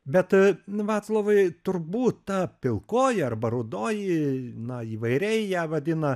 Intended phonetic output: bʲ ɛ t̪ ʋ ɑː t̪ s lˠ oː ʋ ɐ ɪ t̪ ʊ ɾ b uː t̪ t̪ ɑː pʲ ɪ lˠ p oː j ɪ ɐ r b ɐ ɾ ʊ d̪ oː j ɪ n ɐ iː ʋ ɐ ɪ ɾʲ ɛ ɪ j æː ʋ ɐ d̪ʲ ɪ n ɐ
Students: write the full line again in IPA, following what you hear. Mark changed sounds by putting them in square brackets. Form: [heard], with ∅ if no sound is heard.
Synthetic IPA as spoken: bʲ ɛ t̪ ʋ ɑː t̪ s lˠ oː ʋ ɐ ɪ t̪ ʊ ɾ b uː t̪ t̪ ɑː pʲ ɪ lˠ [k] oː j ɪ ɐ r b ɐ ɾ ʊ d̪ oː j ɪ n ɐ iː ʋ ɐ ɪ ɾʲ ɛ ɪ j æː ʋ ɐ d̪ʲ ɪ n ɐ